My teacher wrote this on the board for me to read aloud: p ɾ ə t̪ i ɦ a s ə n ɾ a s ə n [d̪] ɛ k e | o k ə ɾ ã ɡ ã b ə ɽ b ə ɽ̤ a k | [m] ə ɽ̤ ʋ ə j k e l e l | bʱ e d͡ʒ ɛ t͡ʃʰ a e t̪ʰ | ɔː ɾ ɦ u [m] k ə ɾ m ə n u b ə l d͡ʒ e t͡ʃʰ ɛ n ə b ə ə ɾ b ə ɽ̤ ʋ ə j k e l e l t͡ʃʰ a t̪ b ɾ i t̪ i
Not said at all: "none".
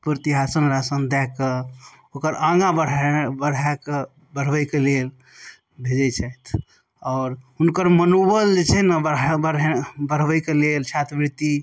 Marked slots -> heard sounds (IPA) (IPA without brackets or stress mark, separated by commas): d̪, b, n